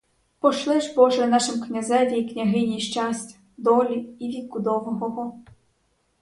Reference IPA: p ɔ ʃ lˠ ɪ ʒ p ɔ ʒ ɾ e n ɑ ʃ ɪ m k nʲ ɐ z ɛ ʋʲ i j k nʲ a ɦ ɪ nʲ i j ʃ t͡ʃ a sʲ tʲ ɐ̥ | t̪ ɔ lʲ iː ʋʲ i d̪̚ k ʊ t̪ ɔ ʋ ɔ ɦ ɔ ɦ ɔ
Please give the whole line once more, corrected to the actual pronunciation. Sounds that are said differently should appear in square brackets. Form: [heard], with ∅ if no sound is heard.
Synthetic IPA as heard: p ɔ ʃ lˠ ɪ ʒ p ɔ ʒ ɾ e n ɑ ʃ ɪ m k nʲ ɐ z ɛ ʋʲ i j k nʲ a ɦ ɪ nʲ i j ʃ t͡ʃ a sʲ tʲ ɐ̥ | [d̪] ɔ lʲ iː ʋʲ i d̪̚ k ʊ [d̪] ɔ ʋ ɔ ɦ ɔ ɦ ɔ